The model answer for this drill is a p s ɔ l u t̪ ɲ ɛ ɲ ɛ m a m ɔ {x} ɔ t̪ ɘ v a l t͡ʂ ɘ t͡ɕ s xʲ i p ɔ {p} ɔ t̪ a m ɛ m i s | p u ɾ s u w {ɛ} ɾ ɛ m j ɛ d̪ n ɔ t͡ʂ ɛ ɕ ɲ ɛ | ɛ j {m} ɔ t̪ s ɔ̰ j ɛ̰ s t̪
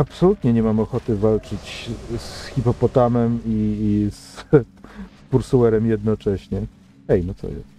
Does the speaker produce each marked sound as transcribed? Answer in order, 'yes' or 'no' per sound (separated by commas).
yes, yes, yes, no